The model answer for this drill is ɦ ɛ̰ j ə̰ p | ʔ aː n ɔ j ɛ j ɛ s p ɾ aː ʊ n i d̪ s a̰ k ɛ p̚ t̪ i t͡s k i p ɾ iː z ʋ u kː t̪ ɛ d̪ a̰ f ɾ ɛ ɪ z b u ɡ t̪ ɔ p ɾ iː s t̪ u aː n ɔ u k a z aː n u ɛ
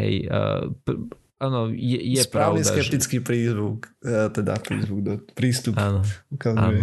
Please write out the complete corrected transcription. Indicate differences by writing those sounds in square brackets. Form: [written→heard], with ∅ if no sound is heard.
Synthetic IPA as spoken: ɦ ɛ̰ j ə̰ p | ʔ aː n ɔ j ɛ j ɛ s p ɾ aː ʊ n i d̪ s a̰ k ɛ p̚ t̪ i t͡s k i p ɾ iː z ʋ u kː t̪ ɛ d̪ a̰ f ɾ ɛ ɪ z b u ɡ [t̪→d̪] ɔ p ɾ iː s t̪ u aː n ɔ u k a z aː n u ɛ